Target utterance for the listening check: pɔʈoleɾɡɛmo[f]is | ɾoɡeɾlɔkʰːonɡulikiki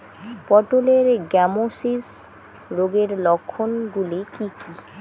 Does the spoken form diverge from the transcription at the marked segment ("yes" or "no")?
yes